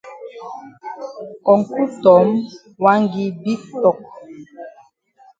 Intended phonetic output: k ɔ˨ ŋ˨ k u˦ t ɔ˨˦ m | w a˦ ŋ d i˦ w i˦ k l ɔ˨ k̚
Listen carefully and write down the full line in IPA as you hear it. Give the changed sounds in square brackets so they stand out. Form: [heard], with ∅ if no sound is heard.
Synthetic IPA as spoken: k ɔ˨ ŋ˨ k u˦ t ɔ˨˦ m | w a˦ ŋ [ɡ] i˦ [b] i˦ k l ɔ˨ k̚